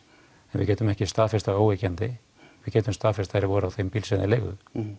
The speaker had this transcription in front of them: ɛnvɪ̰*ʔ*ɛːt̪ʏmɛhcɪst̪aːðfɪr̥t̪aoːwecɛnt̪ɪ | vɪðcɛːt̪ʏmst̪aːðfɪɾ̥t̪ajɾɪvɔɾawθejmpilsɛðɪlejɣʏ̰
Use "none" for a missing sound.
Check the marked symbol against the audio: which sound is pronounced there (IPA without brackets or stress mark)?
c